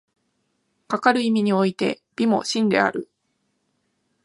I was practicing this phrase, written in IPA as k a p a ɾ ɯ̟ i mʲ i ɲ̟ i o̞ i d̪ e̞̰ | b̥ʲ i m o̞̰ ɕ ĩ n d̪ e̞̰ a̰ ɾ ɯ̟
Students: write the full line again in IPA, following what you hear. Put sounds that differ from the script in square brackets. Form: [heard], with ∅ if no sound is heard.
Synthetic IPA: k a [k] a ɾ ɯ̟ i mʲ i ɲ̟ i o̞ i [t̪] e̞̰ | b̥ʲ i m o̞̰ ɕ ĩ n d̪ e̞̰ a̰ ɾ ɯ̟